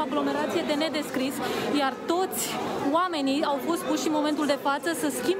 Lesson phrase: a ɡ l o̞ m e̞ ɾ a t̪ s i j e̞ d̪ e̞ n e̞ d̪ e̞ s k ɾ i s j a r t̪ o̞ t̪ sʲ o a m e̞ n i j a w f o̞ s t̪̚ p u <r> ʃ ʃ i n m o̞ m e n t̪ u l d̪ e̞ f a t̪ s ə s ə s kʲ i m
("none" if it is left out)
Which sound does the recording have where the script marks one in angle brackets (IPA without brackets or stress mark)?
none